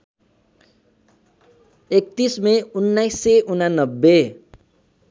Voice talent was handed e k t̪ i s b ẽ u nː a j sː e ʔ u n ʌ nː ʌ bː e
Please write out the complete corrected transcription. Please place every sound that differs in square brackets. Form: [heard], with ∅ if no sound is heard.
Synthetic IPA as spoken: e k t̪ i s [m] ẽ u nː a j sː e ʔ u n [a] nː ʌ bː e